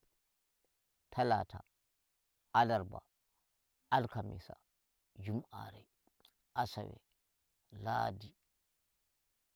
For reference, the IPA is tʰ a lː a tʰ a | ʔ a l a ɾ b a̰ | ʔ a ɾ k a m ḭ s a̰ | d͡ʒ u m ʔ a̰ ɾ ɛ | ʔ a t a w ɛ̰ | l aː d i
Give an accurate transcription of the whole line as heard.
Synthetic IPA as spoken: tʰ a l a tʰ a | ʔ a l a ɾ b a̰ | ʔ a l k a m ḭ s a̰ | d͡ʒ u m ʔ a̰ ɾ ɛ | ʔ a s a w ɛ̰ | l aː d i